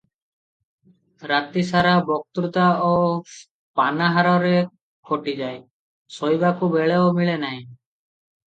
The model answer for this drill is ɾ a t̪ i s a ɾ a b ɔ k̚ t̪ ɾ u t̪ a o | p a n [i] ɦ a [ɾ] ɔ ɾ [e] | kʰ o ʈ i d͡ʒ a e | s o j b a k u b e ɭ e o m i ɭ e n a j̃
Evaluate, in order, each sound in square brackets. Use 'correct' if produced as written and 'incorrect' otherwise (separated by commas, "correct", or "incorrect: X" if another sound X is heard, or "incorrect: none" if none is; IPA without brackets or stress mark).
incorrect: a, correct, correct